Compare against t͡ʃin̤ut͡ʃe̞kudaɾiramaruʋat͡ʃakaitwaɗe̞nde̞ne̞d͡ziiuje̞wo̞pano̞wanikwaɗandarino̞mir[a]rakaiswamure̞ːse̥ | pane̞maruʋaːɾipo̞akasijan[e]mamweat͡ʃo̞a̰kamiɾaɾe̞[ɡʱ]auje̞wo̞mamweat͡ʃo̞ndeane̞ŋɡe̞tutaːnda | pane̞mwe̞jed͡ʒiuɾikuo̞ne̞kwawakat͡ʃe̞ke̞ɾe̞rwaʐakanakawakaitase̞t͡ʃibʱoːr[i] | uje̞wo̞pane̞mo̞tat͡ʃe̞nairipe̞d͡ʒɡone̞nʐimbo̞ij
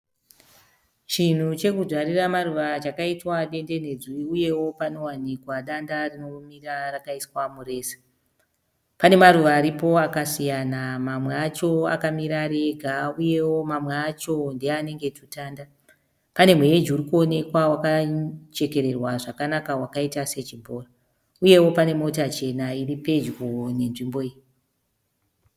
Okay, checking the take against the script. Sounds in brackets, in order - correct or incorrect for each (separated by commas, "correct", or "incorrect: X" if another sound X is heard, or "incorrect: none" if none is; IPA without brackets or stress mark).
correct, incorrect: a, correct, incorrect: a